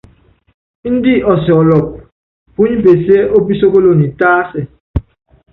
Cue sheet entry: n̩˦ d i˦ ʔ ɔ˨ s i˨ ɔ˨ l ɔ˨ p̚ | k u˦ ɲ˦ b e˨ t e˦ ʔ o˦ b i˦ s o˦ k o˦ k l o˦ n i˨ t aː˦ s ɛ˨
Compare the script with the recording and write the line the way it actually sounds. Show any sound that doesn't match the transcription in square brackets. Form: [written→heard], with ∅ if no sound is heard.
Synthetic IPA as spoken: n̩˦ d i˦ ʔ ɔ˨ s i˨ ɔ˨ l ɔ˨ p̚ | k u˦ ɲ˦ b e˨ [t→s] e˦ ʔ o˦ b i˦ s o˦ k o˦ [k→∅] l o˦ n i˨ t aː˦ s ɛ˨